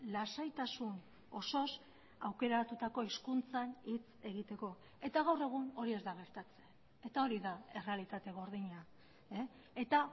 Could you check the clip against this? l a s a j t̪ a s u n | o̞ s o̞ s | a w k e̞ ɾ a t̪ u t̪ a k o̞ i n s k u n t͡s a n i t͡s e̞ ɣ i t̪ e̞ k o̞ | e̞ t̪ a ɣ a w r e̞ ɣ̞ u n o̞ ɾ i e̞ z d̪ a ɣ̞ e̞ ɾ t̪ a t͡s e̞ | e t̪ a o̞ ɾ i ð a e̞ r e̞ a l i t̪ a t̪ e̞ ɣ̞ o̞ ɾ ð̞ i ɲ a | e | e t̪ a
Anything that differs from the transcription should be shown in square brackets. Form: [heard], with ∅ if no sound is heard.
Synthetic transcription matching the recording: l a s a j t̪ a s u n | o̞ s o̞ s | a w k e̞ ɾ a t̪ u t̪ a k o̞ i [∅] s k u n t͡s a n i t͡s e̞ ɣ i t̪ e̞ k o̞ | e̞ t̪ a ɣ a w r e̞ ɣ̞ u n o̞ ɾ i e̞ z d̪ a ɣ̞ e̞ ɾ t̪ a t͡s e̞ | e t̪ a o̞ ɾ i ð a e̞ r e̞ a l i t̪ a t̪ e̞ ɣ̞ o̞ ɾ ð̞ i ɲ a | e | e t̪ a